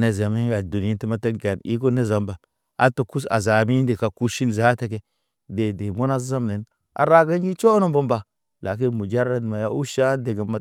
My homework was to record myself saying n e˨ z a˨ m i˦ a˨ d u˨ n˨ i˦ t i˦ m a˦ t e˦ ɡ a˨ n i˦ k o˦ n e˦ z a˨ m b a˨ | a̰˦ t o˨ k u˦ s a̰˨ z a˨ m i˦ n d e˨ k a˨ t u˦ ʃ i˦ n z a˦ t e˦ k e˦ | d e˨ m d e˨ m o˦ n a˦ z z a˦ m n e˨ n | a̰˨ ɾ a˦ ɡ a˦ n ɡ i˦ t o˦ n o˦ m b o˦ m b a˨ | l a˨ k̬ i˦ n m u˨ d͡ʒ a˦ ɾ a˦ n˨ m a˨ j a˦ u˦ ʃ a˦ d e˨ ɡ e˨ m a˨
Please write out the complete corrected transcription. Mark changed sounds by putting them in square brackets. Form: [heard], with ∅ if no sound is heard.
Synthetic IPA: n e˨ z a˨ m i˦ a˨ d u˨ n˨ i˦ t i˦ m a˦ t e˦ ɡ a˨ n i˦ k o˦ n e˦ z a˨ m b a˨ | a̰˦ t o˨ k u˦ s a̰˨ z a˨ m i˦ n d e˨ k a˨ [k] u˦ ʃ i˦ n z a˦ t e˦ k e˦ | d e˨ [∅] d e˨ m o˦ n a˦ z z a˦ m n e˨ n | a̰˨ ɾ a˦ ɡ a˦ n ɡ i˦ [t͡ʃ] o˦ n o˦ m b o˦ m b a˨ | l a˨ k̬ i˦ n m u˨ d͡ʒ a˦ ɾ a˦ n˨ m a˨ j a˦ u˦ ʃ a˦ d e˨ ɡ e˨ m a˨